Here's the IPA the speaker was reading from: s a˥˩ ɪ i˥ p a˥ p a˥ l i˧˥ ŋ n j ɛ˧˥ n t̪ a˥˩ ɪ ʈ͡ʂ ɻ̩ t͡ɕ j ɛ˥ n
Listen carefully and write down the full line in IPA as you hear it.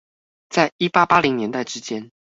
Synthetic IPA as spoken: t͡s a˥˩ ɪ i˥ p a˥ p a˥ l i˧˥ ŋ n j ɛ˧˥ n t̪ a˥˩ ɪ ʈ͡ʂ ɻ̩ t͡ɕ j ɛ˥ n

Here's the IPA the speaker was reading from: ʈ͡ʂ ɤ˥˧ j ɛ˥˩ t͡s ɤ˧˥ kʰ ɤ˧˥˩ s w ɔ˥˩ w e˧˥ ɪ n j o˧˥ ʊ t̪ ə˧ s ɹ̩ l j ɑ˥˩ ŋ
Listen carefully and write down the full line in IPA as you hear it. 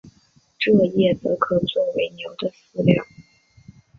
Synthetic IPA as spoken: ʈ͡ʂ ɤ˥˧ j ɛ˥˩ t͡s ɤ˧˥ kʰ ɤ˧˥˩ t͡s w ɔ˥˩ w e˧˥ ɪ n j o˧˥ ʊ d̪ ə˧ s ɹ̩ l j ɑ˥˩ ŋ

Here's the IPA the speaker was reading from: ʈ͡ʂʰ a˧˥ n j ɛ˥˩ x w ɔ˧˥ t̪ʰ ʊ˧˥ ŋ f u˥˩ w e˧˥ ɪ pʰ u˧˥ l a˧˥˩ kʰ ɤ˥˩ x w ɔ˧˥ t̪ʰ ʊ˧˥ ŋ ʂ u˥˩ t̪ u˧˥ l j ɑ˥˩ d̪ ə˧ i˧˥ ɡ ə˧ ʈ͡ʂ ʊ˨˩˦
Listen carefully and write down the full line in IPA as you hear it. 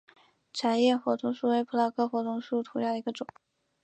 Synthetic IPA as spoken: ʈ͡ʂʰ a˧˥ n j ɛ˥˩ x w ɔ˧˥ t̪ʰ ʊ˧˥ ŋ ʂ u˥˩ w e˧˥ ɪ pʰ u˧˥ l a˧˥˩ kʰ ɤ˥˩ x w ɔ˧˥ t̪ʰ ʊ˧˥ ŋ ʂ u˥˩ t̪ʰ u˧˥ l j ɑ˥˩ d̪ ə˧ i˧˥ ɡ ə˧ ʈ͡ʂ ʊ˨˩˦

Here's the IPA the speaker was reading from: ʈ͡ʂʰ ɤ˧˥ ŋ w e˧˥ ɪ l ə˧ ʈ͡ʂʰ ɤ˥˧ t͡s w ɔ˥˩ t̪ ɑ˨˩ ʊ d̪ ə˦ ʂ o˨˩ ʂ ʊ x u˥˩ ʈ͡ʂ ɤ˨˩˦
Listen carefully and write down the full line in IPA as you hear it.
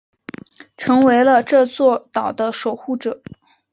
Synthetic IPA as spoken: ʈ͡ʂʰ ɤ˧˥ ŋ w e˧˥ ɪ l ə˧ ʈ͡ʂ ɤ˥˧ t͡s w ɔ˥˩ t̪ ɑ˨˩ ʊ d̪ ə˦ ʂ o˨˩ ʊ x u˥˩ ʈ͡ʂ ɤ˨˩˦

